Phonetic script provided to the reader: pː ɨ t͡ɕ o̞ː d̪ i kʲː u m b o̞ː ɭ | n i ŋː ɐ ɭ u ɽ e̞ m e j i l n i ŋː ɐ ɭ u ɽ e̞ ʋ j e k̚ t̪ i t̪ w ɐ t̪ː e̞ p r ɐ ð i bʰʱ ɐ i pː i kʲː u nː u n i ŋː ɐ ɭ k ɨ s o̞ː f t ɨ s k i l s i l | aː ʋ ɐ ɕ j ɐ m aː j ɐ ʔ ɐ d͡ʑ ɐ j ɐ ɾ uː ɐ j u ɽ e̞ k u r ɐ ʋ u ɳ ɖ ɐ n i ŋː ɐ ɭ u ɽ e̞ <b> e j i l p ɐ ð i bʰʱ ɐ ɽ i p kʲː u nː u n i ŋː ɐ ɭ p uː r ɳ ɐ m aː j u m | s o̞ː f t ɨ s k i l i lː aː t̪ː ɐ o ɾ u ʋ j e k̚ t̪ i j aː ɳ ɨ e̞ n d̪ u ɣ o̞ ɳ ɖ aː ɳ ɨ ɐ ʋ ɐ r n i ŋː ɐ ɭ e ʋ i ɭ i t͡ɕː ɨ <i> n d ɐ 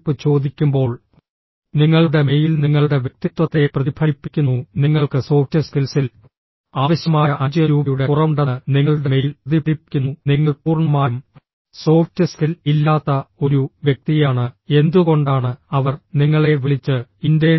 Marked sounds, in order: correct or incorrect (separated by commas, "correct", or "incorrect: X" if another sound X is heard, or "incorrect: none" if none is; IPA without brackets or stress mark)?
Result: incorrect: m, correct